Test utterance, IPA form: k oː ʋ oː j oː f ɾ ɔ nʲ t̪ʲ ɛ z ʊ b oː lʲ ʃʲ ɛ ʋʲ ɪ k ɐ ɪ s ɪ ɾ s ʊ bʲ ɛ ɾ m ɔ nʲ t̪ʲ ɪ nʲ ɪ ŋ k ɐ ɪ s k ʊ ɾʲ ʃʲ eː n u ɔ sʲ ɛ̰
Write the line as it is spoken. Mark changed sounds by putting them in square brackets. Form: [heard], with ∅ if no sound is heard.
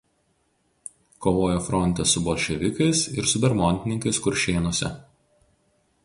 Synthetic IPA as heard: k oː ʋ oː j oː f ɾ ɔ nʲ t̪ʲ ɛ [s] ʊ b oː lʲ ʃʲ ɛ ʋʲ ɪ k ɐ ɪ s ɪ ɾ s ʊ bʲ ɛ ɾ m ɔ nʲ t̪ʲ ɪ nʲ ɪ ŋ k ɐ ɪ s k ʊ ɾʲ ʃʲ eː n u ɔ sʲ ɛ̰